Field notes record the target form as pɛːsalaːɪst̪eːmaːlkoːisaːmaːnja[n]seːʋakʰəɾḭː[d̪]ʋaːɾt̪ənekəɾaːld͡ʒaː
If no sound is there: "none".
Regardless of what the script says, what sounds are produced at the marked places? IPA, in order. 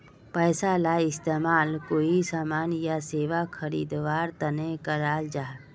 none, d̪

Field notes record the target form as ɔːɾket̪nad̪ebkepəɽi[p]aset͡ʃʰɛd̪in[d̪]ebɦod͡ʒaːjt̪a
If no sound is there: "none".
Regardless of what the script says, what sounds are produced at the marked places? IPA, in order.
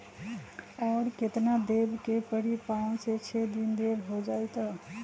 p, d̪

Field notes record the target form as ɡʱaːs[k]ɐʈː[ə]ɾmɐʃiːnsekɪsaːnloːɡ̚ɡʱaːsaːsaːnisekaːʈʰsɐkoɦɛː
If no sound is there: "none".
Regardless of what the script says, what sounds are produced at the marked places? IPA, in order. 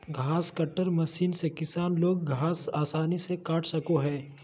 k, ə

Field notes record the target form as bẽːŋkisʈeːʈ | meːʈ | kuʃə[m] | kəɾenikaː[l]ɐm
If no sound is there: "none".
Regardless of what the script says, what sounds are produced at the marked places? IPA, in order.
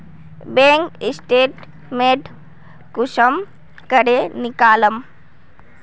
m, l

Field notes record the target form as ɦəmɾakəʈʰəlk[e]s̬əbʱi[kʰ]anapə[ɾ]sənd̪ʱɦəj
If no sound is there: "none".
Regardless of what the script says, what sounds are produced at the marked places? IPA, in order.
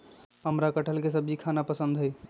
e, kʰ, none

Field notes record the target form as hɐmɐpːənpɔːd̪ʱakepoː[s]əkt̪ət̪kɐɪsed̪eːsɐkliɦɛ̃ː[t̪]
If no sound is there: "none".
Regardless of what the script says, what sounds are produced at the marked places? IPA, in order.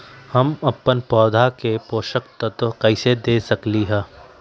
ʃ, none

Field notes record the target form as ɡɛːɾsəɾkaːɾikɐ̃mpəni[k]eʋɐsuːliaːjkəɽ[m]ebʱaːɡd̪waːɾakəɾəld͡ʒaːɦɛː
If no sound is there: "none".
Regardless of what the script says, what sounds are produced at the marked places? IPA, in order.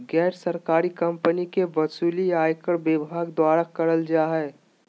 k, b

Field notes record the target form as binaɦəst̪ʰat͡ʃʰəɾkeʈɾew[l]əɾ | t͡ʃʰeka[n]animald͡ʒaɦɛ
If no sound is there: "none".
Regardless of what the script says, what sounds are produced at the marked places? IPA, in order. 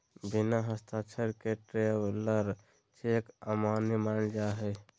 l, m

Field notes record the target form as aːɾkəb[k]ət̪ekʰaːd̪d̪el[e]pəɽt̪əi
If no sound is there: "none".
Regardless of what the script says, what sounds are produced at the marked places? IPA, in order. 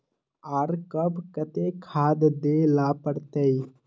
k, a

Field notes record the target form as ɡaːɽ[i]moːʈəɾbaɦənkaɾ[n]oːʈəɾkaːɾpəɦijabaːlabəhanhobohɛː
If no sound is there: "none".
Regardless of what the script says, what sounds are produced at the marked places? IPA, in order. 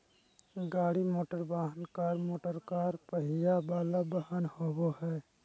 i, m

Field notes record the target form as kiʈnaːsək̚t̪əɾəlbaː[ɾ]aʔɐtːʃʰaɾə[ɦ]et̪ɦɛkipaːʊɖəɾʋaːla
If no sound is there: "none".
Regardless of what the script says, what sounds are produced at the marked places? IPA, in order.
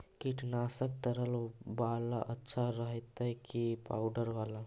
l, ɦ

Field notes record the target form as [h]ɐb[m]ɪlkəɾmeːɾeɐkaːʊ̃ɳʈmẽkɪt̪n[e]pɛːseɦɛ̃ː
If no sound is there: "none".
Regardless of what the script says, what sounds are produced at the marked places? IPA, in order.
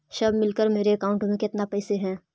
ʃ, m, a

